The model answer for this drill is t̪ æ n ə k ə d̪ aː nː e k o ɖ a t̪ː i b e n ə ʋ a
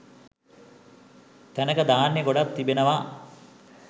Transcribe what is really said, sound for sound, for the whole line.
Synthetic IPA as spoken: t̪ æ n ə k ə d̪ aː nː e ɡ o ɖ a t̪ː i b e n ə ʋ a